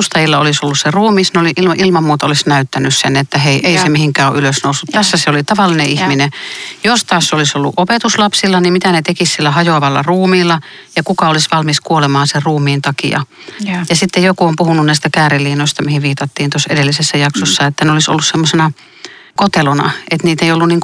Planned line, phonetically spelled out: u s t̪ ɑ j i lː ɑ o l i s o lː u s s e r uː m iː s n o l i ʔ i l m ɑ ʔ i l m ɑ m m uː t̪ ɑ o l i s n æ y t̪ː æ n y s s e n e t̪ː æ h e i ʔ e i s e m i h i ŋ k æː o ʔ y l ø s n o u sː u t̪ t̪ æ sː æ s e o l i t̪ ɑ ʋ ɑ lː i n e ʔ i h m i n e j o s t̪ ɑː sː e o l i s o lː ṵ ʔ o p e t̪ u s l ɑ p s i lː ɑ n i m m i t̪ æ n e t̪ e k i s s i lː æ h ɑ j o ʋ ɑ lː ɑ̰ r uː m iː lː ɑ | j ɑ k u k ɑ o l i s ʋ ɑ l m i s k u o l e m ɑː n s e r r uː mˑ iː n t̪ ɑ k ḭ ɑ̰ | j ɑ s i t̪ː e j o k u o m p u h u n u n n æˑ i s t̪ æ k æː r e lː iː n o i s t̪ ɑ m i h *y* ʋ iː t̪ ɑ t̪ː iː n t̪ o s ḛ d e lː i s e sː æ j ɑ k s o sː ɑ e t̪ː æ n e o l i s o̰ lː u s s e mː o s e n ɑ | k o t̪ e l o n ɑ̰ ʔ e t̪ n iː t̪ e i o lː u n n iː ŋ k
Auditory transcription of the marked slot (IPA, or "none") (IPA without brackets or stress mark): i